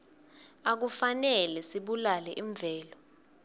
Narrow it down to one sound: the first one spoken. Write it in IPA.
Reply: a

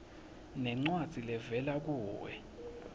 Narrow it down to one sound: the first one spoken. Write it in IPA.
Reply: n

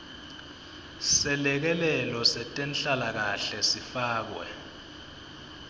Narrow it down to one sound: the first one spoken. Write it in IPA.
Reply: s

